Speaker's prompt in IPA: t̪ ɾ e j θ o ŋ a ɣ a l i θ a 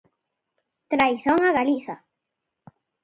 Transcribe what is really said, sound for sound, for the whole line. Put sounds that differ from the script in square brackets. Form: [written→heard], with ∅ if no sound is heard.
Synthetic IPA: t̪ ɾ [e→a] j θ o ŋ a ɣ a l i θ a